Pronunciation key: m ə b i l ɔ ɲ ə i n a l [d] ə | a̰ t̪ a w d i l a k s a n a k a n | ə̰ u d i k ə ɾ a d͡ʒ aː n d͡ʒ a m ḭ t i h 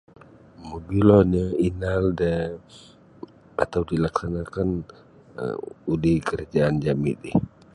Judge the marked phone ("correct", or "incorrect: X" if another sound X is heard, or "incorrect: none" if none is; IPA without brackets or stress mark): correct